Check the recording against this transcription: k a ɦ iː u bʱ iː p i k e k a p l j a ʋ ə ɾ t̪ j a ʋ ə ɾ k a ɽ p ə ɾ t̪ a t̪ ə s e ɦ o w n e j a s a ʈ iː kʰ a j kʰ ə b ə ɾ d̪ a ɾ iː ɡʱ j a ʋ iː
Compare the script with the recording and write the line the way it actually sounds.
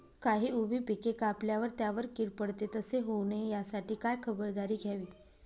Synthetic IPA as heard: k a ɦ iː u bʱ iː p i k e k a p l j a ʋ ə ɾ t̪ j a ʋ ə ɾ k i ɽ p ə ɽ t̪ e t̪ ə s e ɦ o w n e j a s a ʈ iː k a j kʰ ə b ə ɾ d̪ a ɾ iː ɡʱ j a ʋ iː

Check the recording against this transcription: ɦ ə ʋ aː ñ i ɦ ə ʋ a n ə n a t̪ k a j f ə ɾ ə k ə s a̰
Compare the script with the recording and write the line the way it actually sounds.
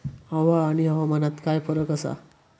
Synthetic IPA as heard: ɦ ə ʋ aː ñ i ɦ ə ʋ a m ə n a t̪ k a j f ə ɾ ə k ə s a̰

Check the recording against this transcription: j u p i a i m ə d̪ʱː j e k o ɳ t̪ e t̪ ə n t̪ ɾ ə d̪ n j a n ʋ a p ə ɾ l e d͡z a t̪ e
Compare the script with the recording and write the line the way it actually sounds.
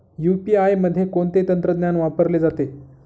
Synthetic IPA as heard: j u p i a j m ə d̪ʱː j e k o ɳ t̪ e t̪ ə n t̪ ɾ ə d̪ n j a n ʋ a p ə ɾ l e d͡z a t̪ e

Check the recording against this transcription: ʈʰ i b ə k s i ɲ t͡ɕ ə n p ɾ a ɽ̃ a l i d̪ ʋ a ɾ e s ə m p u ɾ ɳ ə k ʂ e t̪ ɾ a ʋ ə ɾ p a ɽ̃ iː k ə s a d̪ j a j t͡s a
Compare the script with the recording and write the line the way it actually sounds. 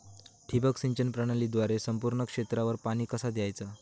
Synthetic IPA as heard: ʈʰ i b ə k s i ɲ t͡ɕ ə n p ɾ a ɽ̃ a l i d̪ ʋ a ɾ e s ə m p u ɾ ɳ ə k ʂ e t̪ ɾ a ʋ ə ɾ p a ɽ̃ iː k ə s a d̪ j a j t͡s a

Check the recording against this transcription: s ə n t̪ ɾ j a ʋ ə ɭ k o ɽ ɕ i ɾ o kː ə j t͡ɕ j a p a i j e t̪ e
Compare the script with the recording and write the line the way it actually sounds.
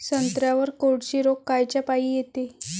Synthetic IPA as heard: s ə n t̪ ɾ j a ʋ ə ɾ k o ɽ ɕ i ɾ o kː a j t͡ɕ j a p a i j e t̪ e

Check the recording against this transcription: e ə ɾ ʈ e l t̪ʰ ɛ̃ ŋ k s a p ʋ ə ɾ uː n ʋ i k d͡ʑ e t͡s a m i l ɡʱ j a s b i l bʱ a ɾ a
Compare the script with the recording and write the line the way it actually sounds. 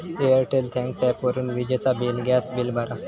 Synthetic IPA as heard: e ə ɾ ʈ e l t̪ʰ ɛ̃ ŋ k s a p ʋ ə ɾ uː n ʋ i d͡ʑ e t͡s a b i l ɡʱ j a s b i l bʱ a ɾ a

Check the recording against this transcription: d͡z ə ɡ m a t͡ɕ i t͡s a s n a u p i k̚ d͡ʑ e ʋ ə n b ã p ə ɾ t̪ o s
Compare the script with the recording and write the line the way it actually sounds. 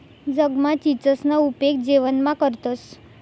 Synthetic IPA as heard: d͡z ə ɡ m a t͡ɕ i t͡s ə s n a u p e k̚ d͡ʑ e ʋ ə n m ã k ə ɾ t̪ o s

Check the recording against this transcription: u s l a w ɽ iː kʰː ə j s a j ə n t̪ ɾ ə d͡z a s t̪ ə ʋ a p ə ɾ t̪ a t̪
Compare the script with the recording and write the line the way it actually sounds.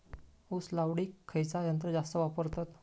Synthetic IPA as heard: u s l a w ɽ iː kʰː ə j t͡s a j ə n t̪ ɾ ə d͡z a s t̪ ə ʋ a p ə ɾ t̪ a t̪

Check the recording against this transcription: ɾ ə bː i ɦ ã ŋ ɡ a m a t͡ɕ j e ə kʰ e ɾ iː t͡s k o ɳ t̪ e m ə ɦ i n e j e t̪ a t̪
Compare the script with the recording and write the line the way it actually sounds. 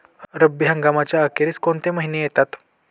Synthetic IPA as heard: ɾ ə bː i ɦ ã ŋ ɡ a m a t͡ɕ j a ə k e ɾ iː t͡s k o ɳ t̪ e m ə ɦ i n e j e t̪ a t̪

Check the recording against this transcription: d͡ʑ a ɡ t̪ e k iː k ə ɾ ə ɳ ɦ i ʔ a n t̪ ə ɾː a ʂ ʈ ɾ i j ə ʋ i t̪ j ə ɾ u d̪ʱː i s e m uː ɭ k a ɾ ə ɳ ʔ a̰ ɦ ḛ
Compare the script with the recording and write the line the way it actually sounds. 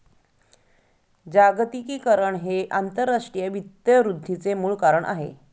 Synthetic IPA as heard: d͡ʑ a ɡ t̪ i k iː k ə ɾ ə ɳ ɦ e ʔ a n t̪ ə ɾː a ʂ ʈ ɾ i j ə ʋ i t̪ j ə ɾ u d̪ʱː i t͡s e m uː ɭ k a ɾ ə ɳ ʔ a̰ ɦ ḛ

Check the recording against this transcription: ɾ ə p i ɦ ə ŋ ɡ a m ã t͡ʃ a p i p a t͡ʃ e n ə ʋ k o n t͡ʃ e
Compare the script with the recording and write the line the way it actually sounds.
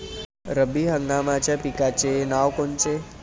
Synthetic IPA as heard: ɾ ə b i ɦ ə ŋ ɡ a m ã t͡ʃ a p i k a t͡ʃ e n a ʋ k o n t͡ʃ e

